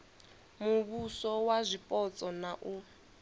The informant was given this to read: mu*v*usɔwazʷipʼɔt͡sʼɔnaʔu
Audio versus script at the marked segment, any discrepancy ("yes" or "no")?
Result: yes